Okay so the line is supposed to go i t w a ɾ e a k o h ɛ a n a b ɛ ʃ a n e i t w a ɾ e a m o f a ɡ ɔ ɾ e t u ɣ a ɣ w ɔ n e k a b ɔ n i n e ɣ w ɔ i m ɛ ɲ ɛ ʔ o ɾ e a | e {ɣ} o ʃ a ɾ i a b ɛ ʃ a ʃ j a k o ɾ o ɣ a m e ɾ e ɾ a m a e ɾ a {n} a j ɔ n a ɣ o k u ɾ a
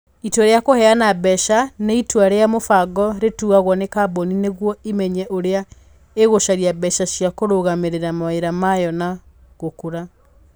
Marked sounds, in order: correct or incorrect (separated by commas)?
correct, incorrect